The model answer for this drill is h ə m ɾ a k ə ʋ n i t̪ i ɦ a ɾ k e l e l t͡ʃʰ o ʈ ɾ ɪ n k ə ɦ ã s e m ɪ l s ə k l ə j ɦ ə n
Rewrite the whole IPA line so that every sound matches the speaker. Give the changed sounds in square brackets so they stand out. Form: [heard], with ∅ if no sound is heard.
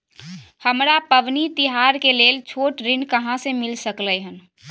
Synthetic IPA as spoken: h ə m ɾ a [p] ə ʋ n i t̪ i ɦ a ɾ k e l e l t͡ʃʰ o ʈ ɾ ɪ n k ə ɦ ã s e m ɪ l s ə k l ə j ɦ ə n